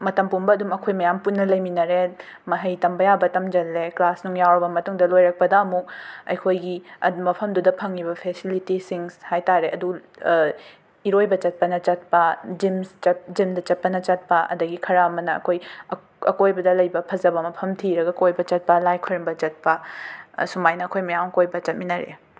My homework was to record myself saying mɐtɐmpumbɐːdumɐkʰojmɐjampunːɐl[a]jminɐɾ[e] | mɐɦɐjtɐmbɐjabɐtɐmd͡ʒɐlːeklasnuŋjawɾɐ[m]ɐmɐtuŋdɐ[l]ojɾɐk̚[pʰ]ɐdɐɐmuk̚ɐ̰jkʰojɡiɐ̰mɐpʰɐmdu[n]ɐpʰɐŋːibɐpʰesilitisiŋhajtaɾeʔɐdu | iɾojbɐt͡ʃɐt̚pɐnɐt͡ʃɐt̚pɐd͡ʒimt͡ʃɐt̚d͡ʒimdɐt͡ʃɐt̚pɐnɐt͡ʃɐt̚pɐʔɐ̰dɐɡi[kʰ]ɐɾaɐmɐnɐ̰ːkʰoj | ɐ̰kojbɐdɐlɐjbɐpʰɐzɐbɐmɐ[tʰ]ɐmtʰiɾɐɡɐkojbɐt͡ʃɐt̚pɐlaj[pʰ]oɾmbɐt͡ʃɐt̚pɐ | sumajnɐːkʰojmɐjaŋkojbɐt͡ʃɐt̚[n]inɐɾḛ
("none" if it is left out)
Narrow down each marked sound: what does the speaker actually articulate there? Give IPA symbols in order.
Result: ɐ, e, b, l, p, d, kʰ, pʰ, kʰ, m

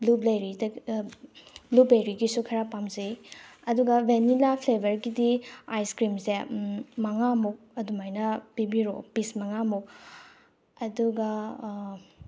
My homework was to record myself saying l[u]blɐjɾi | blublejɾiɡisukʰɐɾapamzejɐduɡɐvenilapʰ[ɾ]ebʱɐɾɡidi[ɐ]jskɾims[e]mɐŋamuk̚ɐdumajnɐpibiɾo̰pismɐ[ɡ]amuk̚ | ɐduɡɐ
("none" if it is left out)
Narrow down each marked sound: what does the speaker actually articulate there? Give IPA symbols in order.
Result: u, l, a, e, ŋ

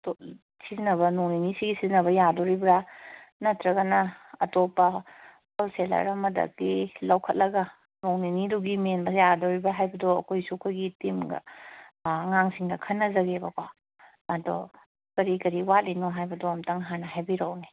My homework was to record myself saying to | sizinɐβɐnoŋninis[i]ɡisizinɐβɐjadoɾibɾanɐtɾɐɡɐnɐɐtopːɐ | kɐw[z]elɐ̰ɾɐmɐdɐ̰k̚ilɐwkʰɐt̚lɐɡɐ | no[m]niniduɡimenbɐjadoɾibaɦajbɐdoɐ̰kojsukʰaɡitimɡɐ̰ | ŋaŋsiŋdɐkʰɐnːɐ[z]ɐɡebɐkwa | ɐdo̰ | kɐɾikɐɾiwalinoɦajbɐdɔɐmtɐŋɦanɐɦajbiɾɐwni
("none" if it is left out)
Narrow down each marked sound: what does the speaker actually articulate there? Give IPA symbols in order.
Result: i, s, ŋ, z

